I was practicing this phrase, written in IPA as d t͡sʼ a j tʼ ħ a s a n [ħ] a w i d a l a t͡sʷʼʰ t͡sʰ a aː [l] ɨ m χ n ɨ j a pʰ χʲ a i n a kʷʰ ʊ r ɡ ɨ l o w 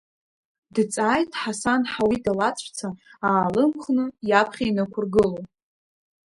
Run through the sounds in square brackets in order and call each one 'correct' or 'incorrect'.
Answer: correct, correct

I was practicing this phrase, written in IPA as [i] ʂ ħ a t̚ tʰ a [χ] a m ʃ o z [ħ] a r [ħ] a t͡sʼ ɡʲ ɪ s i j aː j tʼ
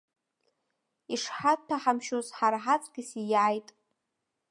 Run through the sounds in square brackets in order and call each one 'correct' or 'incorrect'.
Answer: correct, incorrect, correct, correct

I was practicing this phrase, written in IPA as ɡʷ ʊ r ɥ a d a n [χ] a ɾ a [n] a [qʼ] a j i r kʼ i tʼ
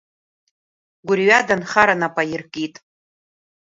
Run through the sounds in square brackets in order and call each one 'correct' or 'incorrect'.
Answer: correct, correct, incorrect

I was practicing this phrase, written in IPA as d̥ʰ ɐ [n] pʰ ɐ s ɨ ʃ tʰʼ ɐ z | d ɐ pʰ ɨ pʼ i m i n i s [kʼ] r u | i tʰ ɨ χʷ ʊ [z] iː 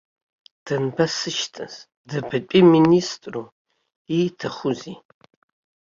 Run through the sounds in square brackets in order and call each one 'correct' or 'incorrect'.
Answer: correct, incorrect, correct

